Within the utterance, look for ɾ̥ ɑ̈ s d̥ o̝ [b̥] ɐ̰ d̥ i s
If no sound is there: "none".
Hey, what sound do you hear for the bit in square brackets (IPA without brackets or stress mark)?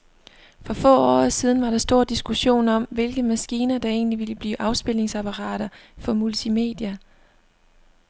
none